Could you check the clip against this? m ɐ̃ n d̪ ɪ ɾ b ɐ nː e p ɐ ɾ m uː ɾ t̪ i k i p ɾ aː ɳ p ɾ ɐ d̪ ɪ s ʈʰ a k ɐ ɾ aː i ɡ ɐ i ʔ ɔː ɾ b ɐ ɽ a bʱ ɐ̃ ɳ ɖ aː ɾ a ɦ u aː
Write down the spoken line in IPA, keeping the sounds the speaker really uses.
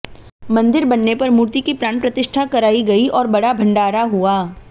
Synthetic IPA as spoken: m ɐ̃ n d̪ ɪ ɾ b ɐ nː e p ɐ ɾ m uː ɾ t̪ i k i p ɾ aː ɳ p ɾ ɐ t̪ ɪ ʃ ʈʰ a k ɐ ɾ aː i ɡ ɐ i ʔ ɔː ɾ b ɐ ɽ a bʱ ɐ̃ ɳ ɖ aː ɾ a ɦ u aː